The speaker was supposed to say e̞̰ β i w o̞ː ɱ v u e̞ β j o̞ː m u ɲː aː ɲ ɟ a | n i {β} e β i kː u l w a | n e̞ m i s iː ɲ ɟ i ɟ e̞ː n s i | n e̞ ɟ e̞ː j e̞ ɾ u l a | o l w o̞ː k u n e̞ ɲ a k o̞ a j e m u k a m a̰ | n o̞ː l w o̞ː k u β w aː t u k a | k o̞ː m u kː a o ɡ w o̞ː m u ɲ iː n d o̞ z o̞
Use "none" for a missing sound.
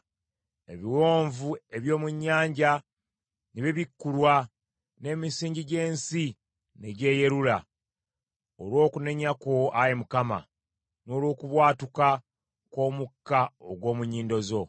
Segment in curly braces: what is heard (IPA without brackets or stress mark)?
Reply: β